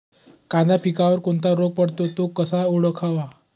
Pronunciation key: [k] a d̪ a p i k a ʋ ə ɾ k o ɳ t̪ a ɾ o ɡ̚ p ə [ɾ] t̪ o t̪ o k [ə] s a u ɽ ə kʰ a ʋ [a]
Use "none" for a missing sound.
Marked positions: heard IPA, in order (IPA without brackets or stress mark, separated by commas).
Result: k, ɽ, ə, a